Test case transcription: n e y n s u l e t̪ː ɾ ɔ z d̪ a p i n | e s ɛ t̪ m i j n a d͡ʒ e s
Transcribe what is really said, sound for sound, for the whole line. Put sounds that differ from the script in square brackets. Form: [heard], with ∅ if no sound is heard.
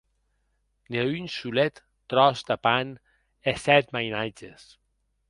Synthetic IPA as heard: n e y n s u l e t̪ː ɾ ɔ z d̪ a p [a] n | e s ɛ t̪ m [a] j n a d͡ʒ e s